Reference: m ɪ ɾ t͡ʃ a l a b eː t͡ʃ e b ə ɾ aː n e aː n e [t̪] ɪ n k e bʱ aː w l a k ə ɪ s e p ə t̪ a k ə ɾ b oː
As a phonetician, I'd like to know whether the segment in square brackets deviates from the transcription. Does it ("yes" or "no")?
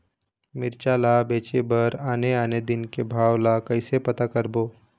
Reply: yes